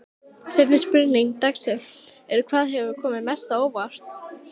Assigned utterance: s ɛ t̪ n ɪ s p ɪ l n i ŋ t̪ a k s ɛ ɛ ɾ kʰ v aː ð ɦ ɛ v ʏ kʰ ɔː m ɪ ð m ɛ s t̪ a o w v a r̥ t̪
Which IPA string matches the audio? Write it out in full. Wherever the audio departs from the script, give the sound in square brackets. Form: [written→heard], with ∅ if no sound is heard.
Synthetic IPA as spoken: s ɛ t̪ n ɪ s p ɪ [l→ɾ] n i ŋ t̪ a k s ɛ ɛ ɾ kʰ v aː ð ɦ ɛ v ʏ kʰ ɔː m ɪ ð m ɛ s t̪ a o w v a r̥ t̪